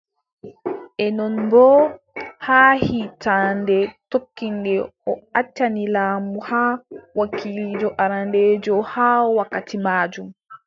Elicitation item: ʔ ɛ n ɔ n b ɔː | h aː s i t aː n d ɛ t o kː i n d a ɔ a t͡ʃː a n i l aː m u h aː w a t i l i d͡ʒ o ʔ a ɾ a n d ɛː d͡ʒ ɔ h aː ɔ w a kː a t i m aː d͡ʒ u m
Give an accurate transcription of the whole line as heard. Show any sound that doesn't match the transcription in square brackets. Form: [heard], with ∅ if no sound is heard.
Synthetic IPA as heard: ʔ ɛ n ɔ n b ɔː | h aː [h] i t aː n d ɛ t o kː i n d [ɛ] ɔ a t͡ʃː a n i l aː m u h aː w a [k] i l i d͡ʒ [ɔ] ʔ a ɾ a n d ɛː d͡ʒ ɔ h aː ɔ w a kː a t i m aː d͡ʒ u m